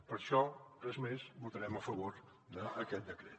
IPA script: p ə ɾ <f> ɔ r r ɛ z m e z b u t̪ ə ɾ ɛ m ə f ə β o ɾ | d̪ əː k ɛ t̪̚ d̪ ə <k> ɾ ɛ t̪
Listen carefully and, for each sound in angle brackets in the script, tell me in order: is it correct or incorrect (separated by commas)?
incorrect, correct